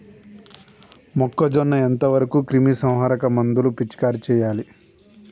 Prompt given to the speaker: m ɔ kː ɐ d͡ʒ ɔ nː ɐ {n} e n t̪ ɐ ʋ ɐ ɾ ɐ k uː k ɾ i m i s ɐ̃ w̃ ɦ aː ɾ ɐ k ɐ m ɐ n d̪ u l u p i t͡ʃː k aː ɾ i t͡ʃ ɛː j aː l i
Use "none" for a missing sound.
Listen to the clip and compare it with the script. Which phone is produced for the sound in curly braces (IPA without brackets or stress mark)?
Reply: none